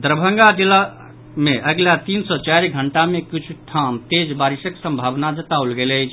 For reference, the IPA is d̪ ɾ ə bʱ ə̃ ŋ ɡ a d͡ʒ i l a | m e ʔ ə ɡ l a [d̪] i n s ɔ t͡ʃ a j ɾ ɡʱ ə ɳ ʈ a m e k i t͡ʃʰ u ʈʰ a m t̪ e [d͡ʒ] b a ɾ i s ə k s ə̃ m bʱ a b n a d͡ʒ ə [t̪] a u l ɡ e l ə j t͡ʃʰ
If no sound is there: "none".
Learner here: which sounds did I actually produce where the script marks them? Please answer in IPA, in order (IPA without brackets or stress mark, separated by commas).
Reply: t̪, d͡ʒ, t̪